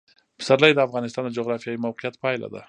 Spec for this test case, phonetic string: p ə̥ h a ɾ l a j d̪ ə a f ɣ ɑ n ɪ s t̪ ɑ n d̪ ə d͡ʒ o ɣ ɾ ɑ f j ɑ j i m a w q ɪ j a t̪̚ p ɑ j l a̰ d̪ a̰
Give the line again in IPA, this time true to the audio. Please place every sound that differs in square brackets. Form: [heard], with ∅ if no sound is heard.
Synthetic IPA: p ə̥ [s] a ɾ l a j d̪ ə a f ɣ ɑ n ɪ s t̪ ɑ n d̪ ə d͡ʒ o ɣ ɾ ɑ f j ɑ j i m a w q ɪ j a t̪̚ p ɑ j l a̰ d̪ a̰